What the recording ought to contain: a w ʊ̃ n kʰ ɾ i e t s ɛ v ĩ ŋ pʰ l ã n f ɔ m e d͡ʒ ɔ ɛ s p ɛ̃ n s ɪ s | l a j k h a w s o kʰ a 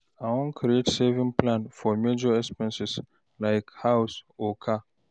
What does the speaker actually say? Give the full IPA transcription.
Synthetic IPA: a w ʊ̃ n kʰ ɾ i e t s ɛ v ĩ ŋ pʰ l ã n f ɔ m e d͡ʒ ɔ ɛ s p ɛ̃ n s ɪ s | l a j k h a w s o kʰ a